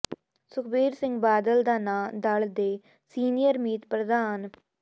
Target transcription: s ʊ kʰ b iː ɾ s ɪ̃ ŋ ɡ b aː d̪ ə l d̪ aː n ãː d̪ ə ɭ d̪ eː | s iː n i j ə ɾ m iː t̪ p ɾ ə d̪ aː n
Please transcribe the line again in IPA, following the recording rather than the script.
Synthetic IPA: s ʊ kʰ b iː ɾ s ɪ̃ ŋ ɡ b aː d̪ ə l d̪ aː n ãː d̪ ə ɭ d̪ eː | s iː n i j ə ɾ m iː t̪ p ɾ ə d̪ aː n

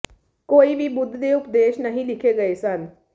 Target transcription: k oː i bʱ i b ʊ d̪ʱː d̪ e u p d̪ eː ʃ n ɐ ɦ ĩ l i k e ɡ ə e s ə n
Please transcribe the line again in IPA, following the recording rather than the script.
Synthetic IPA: k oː i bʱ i b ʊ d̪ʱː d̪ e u p d̪ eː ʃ n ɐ ɦ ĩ l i kʰ e ɡ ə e s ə n

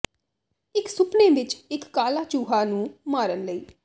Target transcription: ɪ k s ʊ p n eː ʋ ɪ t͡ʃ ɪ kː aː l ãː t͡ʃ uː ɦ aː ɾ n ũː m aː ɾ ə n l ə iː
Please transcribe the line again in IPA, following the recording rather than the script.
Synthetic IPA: ɪ k s ʊ p n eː ʋ ɪ t͡ʃ ɪ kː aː l aː t͡ʃ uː ɦ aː n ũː m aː ɾ ə n l ə iː

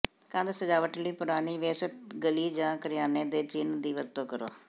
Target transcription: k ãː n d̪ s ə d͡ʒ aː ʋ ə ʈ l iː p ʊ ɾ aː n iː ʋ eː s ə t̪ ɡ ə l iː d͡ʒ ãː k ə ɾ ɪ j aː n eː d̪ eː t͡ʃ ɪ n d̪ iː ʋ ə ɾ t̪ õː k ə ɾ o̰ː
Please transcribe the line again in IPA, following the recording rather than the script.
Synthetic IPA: k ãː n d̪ s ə d͡ʒ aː ʋ ə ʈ l iː p ʊ ɾ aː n iː ʋ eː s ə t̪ ɡ ə l iː d͡ʒ ãː k ə ɾ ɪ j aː n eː d̪ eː t͡ʃ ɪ n d̪ iː ʋ ə ɾ t̪ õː k ə ɾ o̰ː

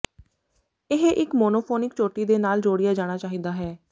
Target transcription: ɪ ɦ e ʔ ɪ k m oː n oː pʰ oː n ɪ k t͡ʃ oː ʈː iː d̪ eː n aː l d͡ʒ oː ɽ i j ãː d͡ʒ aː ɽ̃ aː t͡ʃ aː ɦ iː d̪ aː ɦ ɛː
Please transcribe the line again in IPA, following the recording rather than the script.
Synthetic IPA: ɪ ɦ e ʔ ɪ k m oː n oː pʰ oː n ɪ k t͡ʃ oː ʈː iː d̪ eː n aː l d͡ʒ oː ɽ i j aː d͡ʒ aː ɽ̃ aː t͡ʃ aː ɦ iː d̪ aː ɦ ɛː

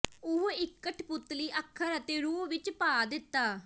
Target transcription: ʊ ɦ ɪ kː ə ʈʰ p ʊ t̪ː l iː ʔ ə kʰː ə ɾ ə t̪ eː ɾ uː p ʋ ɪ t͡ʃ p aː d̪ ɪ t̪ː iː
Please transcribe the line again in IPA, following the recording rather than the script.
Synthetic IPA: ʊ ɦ ɪ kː ə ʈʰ p ʊ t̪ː l iː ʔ ə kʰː ə ɾ ə t̪ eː ɾ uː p ʋ ɪ t͡ʃ p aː d̪ ɪ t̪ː aː

